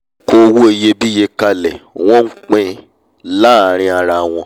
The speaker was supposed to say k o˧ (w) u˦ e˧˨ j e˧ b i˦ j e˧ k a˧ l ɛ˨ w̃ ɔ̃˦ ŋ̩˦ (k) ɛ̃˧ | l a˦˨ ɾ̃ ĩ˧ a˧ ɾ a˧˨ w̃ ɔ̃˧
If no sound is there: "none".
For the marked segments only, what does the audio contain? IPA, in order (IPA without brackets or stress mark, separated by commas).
w, k͡p